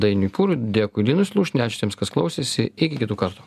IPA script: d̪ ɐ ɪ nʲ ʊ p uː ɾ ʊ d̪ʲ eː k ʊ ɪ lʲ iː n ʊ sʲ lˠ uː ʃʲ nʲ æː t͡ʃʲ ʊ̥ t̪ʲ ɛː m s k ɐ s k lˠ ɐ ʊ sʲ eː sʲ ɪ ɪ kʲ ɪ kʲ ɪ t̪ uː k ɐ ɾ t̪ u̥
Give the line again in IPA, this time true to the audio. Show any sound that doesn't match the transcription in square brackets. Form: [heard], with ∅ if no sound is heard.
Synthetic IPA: d̪ ɐ ɪ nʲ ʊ p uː ɾ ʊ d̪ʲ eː k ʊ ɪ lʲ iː n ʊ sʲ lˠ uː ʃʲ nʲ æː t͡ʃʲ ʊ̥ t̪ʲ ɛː m s k ɐ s k lˠ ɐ ʊ sʲ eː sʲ ɪ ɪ kʲ ɪ kʲ ɪ t̪ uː k ɐ ɾ t̪ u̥